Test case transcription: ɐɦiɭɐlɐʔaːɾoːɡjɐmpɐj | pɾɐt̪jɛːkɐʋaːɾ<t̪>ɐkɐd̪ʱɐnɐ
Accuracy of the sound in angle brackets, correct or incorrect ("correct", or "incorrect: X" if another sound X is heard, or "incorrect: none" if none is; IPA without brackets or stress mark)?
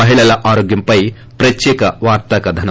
correct